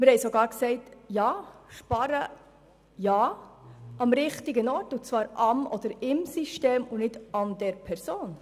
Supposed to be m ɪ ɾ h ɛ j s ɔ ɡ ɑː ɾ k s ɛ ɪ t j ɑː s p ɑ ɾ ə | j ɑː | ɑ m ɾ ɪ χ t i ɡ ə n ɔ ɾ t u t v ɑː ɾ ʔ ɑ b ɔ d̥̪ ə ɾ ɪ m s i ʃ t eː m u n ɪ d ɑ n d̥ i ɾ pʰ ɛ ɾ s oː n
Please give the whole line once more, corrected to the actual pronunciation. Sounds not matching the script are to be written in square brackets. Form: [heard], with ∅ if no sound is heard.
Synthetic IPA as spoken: m ɪ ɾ h ɛ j s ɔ ɡ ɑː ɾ k s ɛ ɪ t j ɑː [ʃ] p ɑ ɾ ə | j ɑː | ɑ m ɾ ɪ χ t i ɡ ə n ɔ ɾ t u [t͡s] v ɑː ɾ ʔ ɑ [m] ɔ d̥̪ ə ɾ ɪ m s i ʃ t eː m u n ɪ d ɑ n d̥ [ɛ] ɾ pʰ ɛ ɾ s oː n